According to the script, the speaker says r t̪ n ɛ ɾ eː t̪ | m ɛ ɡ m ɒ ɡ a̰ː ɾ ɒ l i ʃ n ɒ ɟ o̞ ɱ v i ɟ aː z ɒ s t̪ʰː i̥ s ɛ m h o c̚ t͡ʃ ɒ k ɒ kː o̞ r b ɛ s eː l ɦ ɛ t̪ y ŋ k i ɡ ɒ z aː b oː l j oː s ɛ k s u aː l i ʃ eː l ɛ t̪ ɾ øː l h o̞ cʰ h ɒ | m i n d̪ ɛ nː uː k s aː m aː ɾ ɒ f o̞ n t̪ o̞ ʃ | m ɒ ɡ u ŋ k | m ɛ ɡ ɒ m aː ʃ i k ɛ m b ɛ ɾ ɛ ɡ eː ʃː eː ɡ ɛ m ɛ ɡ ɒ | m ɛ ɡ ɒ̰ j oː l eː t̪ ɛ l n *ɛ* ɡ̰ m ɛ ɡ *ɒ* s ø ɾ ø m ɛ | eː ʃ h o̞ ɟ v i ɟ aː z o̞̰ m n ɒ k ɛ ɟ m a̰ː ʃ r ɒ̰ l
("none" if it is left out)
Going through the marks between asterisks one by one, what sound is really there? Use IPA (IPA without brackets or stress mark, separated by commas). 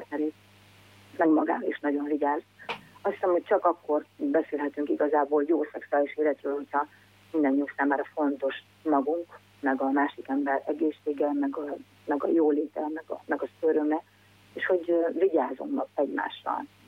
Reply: ɛ, ɒ